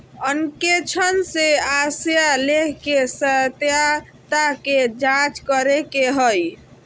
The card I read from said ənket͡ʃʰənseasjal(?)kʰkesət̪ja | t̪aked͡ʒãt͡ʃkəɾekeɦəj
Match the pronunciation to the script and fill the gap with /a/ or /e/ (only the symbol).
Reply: e